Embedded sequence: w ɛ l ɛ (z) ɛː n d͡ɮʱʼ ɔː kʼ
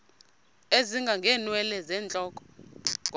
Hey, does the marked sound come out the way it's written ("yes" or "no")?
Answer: yes